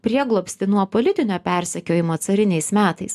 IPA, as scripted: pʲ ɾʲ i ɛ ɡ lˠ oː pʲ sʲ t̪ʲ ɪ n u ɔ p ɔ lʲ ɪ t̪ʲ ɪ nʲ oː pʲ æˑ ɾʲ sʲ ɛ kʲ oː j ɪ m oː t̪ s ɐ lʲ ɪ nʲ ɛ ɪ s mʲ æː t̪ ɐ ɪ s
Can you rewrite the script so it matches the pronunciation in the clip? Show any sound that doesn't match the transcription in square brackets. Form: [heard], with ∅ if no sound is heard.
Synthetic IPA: pʲ ɾʲ i ɛ ɡ lˠ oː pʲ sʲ t̪ʲ ɪ n u ɔ p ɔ lʲ ɪ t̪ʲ ɪ nʲ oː pʲ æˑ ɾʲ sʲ ɛ kʲ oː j ɪ m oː t̪ s ɐ [ɾʲ] ɪ nʲ ɛ ɪ s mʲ æː t̪ ɐ ɪ s